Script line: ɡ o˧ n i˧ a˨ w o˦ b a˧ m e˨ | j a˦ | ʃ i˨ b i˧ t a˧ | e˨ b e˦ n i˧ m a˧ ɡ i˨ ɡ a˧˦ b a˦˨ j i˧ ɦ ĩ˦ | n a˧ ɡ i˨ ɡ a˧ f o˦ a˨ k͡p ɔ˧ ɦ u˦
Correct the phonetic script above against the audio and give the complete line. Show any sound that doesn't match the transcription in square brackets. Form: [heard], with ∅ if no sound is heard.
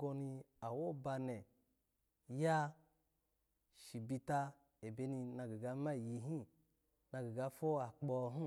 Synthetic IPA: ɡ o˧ n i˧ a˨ w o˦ b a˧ [n] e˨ | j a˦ | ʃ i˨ b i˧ t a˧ | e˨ b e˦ n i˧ [n] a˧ ɡ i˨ ɡ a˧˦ [m] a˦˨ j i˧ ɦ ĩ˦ | n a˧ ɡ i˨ ɡ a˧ f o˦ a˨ k͡p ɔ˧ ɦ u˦